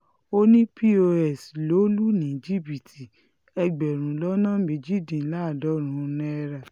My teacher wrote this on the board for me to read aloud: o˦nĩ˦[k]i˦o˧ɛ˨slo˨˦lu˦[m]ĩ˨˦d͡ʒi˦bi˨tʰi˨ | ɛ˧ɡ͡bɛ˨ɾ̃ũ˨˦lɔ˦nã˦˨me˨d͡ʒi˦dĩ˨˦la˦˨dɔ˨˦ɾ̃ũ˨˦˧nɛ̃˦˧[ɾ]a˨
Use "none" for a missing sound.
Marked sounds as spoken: p, n, ɾ

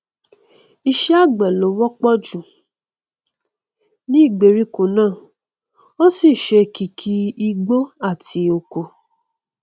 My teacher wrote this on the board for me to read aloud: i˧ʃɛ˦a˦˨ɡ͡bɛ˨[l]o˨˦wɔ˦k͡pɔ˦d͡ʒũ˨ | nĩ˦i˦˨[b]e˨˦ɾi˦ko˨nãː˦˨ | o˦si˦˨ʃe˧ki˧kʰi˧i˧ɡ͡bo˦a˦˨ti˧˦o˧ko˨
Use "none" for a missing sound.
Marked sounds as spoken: l, ɡ͡b

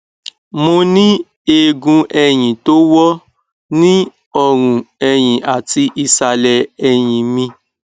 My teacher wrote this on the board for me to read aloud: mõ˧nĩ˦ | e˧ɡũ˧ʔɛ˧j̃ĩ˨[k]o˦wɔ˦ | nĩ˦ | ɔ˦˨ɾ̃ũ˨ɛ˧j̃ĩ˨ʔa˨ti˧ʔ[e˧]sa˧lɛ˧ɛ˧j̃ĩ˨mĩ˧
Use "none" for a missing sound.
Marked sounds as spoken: t, i˧

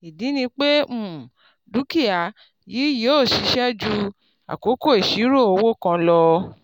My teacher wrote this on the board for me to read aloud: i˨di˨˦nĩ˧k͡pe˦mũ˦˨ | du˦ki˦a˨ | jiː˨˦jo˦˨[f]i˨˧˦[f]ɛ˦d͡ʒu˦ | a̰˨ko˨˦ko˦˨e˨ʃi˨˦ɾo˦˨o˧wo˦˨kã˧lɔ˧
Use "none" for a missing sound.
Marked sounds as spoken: ʃ, ʃ

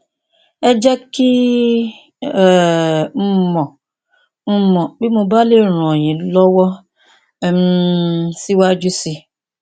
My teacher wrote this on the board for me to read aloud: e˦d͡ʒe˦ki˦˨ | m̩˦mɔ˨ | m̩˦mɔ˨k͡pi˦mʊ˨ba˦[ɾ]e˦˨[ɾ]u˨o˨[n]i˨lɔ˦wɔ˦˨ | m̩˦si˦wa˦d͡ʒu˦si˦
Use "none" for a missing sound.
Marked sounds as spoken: l, ɾ, ɲ

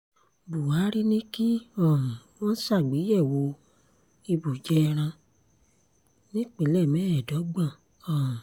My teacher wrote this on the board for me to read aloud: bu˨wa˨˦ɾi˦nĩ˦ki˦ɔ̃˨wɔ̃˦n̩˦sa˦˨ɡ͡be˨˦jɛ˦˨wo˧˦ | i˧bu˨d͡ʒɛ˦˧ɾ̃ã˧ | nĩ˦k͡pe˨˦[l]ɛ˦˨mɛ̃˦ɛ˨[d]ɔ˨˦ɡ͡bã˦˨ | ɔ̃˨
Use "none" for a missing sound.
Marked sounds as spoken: l, d

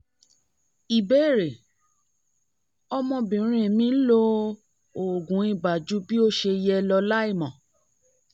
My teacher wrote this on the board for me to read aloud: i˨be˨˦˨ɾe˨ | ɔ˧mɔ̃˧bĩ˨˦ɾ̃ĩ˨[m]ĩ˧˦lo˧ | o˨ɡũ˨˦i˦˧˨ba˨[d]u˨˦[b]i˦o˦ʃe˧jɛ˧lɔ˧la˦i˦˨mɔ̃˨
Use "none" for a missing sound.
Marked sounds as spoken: m, d͡ʒ, b

